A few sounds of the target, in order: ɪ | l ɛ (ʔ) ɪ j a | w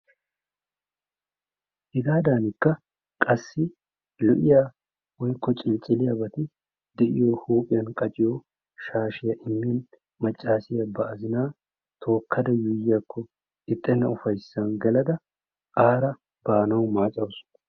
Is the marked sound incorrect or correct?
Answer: correct